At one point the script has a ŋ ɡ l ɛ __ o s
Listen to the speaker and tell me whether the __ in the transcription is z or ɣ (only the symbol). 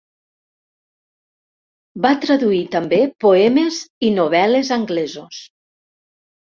z